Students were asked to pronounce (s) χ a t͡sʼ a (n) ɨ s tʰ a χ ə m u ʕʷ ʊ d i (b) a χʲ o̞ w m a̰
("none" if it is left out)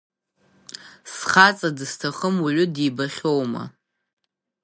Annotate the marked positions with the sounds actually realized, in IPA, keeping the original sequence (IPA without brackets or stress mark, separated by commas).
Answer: s, d, b